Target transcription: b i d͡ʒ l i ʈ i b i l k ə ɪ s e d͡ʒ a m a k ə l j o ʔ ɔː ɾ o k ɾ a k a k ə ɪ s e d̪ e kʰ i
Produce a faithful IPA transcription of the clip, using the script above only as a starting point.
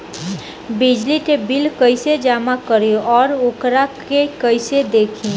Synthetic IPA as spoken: b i d͡ʒ l i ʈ e b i l k ə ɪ s e d͡ʒ a m a k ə ɾ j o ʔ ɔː ɾ o k ɾ a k e k ə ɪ s e d̪ e kʰ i